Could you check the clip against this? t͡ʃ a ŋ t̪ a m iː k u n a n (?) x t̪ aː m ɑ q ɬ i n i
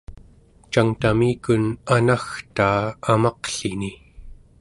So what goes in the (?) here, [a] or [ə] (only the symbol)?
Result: a